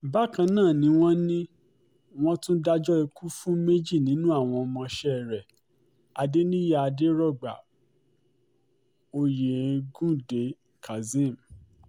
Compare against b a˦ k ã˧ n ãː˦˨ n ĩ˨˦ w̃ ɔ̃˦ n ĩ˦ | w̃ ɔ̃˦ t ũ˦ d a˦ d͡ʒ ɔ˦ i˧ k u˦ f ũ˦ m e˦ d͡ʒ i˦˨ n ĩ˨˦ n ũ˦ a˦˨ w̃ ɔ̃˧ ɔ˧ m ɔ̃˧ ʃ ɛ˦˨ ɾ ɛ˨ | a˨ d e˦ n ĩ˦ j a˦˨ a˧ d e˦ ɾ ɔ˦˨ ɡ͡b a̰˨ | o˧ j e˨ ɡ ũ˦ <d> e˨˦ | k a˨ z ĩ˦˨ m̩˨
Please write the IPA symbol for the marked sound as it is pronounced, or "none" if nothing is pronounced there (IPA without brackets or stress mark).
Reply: d